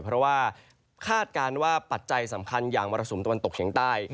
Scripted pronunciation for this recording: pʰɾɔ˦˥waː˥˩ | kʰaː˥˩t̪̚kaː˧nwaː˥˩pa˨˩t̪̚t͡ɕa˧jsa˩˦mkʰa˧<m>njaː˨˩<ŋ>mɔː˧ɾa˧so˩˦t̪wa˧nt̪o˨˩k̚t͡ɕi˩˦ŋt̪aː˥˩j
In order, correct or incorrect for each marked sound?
incorrect: none, correct

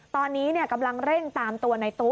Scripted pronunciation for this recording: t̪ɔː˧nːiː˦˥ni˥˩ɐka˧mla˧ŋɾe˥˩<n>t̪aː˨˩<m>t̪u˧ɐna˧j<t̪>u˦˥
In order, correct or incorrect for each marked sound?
incorrect: ŋ, correct, correct

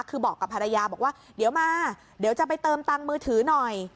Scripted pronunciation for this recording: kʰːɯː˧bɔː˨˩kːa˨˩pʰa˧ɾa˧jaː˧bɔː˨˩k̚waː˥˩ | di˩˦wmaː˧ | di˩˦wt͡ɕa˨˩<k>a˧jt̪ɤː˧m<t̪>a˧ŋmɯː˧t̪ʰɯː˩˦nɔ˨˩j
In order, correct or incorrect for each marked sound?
incorrect: p, correct

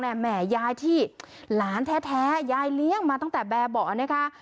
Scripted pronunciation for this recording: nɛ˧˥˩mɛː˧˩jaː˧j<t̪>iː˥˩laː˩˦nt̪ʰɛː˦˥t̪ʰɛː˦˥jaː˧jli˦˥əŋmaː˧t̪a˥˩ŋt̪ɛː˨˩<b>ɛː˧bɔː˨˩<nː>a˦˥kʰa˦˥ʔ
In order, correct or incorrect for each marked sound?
incorrect: t̪ʰ, correct, incorrect: n

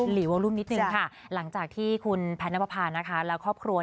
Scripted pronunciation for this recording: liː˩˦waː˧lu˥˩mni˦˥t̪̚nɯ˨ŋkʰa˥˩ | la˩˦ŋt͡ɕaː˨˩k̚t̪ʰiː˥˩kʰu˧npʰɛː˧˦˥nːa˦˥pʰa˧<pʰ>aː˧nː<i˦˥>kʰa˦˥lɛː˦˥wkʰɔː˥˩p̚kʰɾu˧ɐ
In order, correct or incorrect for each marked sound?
correct, incorrect: a˦˥

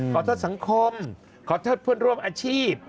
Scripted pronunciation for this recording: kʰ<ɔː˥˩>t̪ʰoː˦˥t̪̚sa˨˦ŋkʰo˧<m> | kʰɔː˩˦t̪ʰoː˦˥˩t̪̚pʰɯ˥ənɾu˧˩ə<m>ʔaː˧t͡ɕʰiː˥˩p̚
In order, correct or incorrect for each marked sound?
incorrect: ɔː˨˦, correct, correct

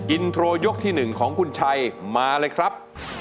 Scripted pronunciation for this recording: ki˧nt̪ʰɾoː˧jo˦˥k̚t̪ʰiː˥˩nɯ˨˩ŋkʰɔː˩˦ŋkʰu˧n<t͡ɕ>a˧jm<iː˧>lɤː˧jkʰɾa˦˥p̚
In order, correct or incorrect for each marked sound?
incorrect: t͡ɕʰ, incorrect: aː˧

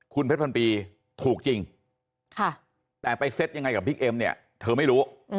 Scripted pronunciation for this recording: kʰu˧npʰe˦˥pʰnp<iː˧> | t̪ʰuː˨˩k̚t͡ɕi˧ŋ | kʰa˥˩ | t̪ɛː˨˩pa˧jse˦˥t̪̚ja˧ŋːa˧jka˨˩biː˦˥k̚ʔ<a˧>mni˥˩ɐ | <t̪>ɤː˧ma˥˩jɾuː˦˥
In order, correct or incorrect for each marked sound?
correct, incorrect: e˧, incorrect: t̪ʰ

